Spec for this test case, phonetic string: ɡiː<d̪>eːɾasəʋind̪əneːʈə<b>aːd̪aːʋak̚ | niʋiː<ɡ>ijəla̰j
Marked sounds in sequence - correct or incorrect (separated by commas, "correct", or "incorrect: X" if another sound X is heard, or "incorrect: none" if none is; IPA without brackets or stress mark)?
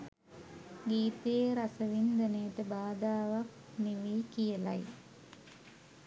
incorrect: t̪, correct, incorrect: k